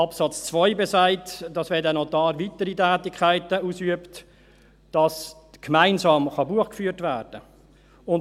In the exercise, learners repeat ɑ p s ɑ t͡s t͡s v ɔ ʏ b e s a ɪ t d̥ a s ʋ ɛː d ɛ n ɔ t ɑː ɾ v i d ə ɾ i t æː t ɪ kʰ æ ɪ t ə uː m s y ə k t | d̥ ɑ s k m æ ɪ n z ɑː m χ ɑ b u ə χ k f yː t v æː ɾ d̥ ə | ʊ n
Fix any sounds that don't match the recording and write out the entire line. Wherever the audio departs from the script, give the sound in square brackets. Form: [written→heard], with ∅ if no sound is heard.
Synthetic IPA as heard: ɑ p s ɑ t͡s t͡s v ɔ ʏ b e s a ɪ t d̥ [a→ɑ] s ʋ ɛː d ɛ n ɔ t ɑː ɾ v i [d→t] ə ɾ i t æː t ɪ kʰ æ ɪ t ə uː [m→∅] s y ə [k→p] t | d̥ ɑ s k m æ ɪ n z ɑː m χ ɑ b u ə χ k f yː t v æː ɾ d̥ ə | ʊ n